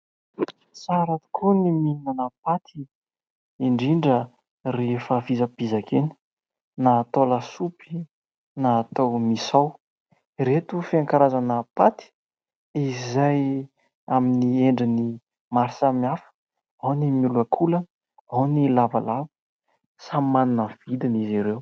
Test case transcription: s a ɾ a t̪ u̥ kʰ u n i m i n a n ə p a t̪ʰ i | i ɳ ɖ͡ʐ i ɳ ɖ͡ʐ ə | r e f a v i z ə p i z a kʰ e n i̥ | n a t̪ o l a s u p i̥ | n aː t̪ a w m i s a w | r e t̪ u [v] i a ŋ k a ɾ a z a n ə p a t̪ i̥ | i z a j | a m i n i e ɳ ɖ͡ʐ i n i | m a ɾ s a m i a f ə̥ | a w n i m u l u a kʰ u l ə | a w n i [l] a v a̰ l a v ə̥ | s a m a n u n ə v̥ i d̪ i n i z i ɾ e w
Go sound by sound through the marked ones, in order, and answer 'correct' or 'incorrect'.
incorrect: f, correct

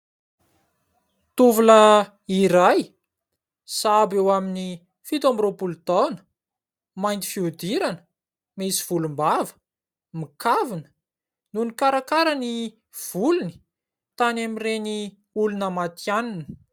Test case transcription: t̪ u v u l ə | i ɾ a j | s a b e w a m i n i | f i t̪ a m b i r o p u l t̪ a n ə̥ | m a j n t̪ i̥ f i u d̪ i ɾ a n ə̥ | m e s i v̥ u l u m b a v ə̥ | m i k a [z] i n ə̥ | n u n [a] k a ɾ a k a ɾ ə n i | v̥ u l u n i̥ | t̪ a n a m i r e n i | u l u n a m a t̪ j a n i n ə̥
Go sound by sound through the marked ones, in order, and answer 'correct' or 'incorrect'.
incorrect: v, incorrect: i

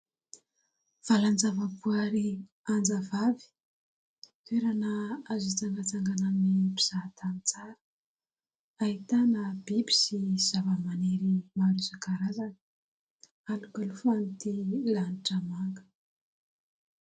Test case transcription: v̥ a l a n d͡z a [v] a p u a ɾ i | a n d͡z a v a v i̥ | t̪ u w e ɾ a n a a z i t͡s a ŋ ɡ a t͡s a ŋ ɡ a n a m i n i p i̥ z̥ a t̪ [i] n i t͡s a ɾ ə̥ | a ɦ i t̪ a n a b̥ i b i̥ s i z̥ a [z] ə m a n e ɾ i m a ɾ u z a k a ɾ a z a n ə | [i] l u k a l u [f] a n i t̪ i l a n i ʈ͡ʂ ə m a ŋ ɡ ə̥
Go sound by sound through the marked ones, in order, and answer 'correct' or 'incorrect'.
correct, incorrect: a, incorrect: v, incorrect: a, correct

